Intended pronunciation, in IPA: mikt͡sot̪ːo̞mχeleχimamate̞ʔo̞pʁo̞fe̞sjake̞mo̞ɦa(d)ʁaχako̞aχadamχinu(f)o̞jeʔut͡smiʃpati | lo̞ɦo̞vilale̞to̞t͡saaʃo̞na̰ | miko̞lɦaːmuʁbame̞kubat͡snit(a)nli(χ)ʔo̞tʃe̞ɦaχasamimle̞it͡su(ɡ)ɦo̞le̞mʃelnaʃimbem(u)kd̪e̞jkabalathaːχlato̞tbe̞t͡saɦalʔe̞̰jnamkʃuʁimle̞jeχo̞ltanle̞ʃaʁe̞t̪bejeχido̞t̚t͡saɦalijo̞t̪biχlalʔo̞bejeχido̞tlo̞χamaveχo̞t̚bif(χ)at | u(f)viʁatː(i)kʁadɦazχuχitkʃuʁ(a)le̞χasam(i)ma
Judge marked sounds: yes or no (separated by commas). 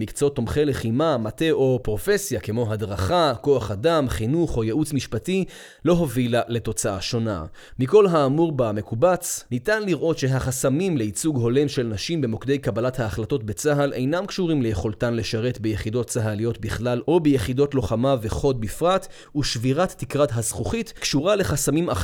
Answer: yes, no, yes, no, yes, no, no, no, yes, yes, yes